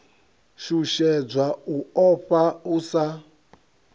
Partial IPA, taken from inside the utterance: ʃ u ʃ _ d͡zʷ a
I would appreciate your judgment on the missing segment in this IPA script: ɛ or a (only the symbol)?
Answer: ɛ